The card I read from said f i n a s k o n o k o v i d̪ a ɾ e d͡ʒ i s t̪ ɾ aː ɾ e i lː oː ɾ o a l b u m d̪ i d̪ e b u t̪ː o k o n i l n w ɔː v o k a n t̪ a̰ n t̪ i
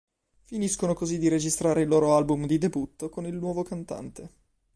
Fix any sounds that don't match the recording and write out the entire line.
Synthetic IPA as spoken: f i n i s k o n o k o z i d̪ i ɾ e d͡ʒ i s t̪ ɾ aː ɾ e i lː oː ɾ o a l b u m d̪ i d̪ e b u t̪ː o k o n i l n w ɔː v o k a n t̪ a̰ n t̪ e